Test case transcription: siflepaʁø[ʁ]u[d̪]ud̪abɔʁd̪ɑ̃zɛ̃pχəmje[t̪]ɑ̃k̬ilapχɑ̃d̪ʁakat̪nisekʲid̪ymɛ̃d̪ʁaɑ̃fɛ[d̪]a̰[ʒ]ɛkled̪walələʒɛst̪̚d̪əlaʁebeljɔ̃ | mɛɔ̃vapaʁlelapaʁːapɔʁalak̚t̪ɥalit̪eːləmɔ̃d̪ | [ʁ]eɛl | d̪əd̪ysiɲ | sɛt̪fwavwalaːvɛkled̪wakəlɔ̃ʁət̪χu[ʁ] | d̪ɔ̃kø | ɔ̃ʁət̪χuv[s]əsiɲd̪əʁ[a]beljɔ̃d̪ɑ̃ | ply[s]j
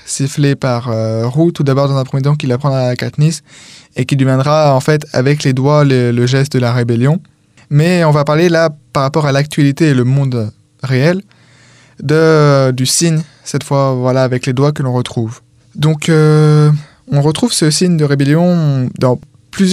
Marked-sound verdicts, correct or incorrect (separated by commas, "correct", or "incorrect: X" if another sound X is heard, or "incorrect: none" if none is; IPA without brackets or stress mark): correct, incorrect: t̪, correct, incorrect: t̪, incorrect: v, correct, incorrect: v, correct, incorrect: e, incorrect: z